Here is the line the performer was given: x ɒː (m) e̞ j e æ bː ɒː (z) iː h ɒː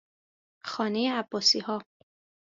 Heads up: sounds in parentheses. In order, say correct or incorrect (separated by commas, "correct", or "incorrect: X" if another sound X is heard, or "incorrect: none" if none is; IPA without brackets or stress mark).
incorrect: n, incorrect: s